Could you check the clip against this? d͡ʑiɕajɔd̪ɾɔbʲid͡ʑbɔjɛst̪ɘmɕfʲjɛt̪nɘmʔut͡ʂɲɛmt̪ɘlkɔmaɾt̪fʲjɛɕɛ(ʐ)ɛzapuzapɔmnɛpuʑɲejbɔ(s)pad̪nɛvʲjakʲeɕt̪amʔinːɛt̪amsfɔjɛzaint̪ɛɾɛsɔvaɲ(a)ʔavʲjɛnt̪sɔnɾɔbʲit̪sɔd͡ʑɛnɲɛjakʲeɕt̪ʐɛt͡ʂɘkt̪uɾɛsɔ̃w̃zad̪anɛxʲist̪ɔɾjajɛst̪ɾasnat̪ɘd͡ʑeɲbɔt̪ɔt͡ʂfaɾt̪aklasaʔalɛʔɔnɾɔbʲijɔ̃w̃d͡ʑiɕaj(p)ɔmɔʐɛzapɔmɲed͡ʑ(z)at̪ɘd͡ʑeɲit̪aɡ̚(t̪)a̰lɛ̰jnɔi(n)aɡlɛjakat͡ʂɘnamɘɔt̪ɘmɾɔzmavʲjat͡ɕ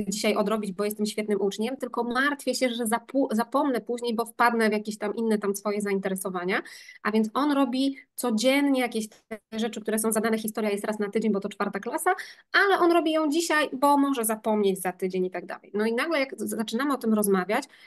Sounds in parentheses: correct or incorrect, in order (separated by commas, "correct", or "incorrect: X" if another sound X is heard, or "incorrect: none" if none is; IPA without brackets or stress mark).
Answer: correct, incorrect: f, correct, incorrect: b, correct, incorrect: d̪, correct